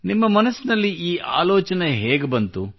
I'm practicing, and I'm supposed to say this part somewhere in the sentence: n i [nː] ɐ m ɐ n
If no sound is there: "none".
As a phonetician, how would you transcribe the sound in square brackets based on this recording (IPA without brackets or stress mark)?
mː